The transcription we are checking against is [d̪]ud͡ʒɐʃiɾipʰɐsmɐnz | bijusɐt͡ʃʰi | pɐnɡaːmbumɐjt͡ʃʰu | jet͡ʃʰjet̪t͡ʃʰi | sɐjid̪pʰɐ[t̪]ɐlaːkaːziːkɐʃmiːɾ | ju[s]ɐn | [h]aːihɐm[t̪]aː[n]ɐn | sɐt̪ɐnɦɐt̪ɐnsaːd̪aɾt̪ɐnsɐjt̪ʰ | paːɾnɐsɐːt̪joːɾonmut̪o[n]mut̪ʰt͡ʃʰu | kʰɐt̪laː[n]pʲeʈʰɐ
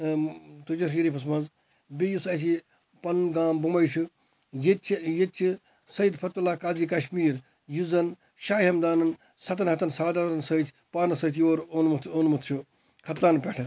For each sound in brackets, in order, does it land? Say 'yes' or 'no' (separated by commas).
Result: no, yes, no, no, no, yes, yes, yes